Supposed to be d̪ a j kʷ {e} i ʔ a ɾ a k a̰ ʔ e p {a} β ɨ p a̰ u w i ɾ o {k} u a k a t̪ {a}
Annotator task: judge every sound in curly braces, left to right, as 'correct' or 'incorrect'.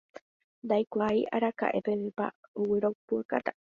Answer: incorrect: a, incorrect: e, incorrect: p, correct

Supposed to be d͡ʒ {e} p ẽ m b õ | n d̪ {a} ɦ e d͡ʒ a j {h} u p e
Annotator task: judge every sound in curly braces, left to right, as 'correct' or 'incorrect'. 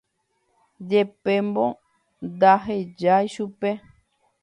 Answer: correct, correct, incorrect: ʃ

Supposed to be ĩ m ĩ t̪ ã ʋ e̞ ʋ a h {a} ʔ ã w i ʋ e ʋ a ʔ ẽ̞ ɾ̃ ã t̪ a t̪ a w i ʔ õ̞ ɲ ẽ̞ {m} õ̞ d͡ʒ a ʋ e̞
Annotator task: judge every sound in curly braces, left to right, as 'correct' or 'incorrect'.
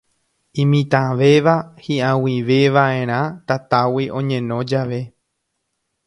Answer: incorrect: i, incorrect: n

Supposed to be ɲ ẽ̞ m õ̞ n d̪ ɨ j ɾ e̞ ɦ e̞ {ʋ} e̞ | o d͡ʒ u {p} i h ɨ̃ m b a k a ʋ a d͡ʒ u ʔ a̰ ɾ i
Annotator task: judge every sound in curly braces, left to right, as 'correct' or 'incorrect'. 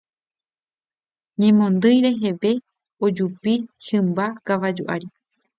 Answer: correct, correct

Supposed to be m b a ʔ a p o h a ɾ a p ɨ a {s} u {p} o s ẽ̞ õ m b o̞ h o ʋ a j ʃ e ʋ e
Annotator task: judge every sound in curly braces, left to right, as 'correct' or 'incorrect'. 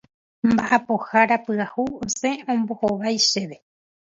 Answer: incorrect: h, incorrect: none

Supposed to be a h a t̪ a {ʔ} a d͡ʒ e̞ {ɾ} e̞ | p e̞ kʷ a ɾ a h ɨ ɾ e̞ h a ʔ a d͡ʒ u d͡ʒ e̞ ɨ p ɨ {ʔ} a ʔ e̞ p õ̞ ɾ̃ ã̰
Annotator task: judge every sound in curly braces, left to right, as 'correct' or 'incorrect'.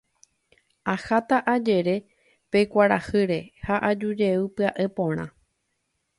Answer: correct, correct, incorrect: none

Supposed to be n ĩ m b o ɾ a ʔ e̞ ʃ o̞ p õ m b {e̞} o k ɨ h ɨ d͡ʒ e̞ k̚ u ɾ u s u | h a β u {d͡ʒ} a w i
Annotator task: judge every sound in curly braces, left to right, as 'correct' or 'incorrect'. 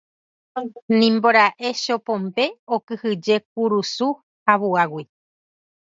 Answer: correct, incorrect: none

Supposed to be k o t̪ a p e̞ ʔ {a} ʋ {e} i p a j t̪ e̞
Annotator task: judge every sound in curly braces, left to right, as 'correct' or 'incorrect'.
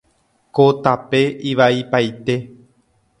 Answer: incorrect: i, incorrect: a

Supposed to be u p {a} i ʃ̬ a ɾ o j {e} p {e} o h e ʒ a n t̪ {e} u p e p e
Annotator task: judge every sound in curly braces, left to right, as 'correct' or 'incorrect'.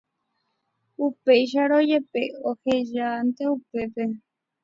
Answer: incorrect: e, correct, correct, correct

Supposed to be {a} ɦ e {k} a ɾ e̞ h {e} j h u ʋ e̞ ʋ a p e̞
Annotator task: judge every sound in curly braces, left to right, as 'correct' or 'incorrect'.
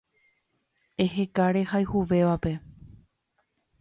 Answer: incorrect: e, correct, incorrect: a

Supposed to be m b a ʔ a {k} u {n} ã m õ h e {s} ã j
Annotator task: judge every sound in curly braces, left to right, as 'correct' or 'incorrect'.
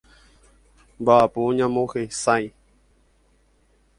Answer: incorrect: p, incorrect: ɲ, correct

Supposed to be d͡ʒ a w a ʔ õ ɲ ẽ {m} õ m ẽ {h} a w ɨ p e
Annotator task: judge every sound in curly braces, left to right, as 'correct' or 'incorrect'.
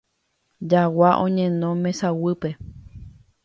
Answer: incorrect: n, incorrect: s

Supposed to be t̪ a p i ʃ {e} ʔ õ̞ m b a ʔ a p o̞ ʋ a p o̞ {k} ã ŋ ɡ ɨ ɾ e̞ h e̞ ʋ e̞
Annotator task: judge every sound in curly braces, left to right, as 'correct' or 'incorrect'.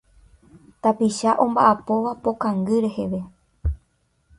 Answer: incorrect: a, correct

